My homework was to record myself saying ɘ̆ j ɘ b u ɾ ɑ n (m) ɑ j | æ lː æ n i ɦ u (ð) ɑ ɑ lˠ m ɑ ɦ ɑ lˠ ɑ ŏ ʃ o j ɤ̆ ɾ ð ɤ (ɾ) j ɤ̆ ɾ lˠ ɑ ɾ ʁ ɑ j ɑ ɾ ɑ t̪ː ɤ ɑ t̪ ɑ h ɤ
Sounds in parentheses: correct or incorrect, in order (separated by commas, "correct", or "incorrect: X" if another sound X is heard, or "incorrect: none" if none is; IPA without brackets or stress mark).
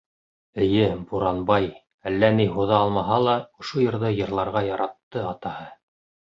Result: incorrect: b, correct, incorrect: none